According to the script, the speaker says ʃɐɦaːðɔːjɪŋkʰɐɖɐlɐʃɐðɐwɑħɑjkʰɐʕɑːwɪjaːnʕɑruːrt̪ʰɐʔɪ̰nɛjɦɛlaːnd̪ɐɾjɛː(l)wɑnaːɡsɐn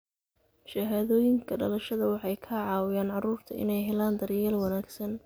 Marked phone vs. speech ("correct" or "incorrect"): correct